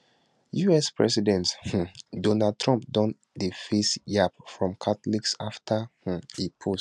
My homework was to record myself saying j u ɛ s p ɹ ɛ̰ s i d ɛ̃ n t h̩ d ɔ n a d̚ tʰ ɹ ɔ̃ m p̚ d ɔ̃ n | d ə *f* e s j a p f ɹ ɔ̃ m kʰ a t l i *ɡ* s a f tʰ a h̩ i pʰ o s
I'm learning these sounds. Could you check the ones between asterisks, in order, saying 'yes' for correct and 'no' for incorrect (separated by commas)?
yes, no